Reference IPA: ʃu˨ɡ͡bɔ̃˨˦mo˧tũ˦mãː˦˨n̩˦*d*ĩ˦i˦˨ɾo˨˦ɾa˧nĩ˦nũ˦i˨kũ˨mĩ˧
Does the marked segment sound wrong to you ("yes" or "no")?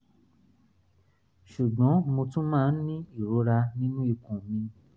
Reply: yes